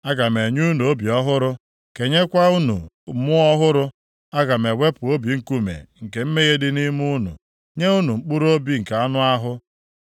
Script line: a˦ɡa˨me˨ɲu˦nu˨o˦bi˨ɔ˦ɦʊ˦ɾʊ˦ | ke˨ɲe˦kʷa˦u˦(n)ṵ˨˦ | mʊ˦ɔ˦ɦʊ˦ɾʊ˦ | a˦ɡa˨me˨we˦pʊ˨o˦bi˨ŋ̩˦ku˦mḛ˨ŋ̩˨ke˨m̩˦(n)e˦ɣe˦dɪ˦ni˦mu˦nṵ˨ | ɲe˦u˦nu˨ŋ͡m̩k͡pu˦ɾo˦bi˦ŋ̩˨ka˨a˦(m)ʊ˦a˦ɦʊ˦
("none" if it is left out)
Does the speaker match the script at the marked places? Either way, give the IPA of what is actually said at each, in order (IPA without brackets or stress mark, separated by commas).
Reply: n, m, n